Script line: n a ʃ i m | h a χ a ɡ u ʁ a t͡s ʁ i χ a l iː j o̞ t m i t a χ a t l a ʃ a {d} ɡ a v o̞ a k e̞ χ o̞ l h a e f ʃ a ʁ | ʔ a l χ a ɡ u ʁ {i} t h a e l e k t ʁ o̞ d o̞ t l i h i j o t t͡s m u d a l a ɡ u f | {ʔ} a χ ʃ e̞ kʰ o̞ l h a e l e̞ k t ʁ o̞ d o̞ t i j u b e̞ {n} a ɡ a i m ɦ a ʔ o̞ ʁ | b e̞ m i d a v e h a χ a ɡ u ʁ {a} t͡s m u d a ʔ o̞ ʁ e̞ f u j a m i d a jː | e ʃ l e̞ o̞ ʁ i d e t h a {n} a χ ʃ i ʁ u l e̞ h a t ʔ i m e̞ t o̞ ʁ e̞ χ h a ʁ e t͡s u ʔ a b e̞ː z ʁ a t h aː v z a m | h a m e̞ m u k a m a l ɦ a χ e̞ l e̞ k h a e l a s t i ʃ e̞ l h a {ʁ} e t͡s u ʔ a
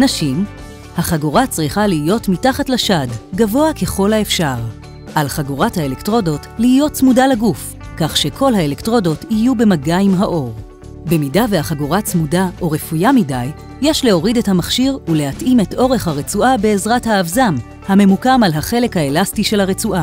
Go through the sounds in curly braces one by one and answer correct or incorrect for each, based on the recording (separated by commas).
correct, incorrect, incorrect, incorrect, correct, incorrect, correct